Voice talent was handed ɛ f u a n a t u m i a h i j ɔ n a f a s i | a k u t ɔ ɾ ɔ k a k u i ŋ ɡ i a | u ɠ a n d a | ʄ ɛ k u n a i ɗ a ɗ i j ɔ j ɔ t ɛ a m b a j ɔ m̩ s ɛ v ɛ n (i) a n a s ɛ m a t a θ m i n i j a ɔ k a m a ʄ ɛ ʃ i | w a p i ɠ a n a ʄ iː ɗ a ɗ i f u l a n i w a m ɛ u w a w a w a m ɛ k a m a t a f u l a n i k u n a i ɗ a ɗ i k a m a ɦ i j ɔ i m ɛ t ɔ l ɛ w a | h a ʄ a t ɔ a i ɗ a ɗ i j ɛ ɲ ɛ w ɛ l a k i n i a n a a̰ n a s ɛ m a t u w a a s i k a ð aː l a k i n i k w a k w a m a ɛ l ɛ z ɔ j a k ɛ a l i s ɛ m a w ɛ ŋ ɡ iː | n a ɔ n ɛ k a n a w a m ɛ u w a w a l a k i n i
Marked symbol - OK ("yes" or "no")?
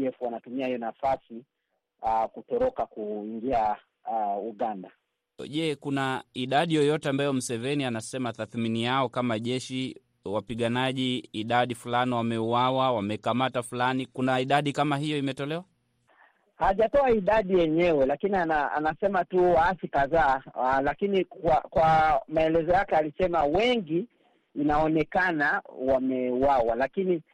yes